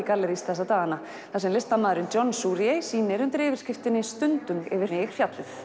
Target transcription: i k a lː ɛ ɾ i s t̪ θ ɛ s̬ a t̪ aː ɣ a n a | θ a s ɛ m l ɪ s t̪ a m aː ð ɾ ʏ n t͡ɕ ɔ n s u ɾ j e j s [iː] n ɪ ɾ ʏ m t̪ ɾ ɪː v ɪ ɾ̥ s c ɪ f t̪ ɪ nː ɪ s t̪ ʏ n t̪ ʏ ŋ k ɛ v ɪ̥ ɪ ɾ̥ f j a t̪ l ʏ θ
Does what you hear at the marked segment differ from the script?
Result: no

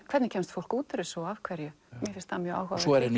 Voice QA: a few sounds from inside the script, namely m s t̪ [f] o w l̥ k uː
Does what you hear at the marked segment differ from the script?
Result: no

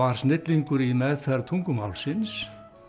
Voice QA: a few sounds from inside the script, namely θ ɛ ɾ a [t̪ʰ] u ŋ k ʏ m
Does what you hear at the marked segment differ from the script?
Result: no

